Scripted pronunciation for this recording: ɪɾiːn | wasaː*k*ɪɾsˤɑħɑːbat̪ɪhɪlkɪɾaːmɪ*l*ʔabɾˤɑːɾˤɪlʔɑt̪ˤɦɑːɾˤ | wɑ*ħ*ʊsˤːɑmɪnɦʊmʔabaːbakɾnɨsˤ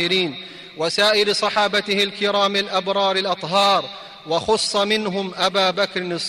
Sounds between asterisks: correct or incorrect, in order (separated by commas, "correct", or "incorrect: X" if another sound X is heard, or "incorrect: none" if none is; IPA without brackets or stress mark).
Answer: incorrect: ʔ, correct, incorrect: x